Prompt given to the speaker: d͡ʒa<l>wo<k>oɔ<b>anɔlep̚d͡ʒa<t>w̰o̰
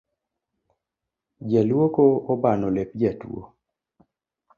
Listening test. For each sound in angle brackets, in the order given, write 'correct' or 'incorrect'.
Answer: correct, correct, correct, correct

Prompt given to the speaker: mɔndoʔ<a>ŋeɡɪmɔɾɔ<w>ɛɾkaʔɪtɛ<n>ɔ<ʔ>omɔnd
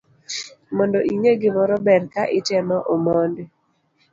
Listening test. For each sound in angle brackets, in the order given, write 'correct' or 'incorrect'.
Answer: incorrect: i, incorrect: b, incorrect: m, correct

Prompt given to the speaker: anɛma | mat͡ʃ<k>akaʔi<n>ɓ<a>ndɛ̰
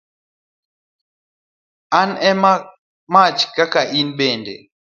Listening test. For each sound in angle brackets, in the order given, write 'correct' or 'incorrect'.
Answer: correct, correct, incorrect: ɛ

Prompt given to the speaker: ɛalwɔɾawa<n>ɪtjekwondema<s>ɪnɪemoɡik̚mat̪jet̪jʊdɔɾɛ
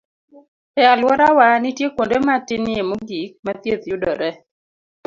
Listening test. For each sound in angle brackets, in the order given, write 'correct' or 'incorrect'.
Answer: correct, incorrect: t

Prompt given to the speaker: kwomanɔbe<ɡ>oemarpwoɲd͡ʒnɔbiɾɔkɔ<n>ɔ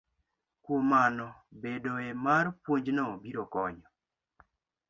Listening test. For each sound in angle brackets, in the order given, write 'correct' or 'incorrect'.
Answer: incorrect: d, incorrect: ɲ

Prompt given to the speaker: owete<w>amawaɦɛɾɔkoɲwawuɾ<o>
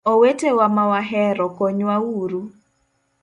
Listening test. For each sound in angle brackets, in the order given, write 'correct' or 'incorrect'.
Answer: correct, incorrect: u

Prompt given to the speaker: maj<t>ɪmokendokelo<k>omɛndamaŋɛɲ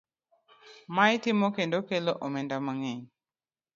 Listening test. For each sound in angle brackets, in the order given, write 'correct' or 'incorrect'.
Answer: correct, incorrect: ʔ

